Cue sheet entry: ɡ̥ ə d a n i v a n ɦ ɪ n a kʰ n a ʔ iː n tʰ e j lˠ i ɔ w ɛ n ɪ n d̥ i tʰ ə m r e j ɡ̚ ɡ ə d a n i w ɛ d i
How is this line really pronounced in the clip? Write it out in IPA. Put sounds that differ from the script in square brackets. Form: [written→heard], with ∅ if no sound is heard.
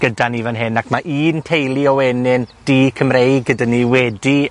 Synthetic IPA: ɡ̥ ə d a n i v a n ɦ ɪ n a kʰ [n→m] a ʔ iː n tʰ e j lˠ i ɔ w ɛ n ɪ n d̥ i [tʰ→kʰ] ə m r e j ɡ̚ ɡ ə d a n i w ɛ d i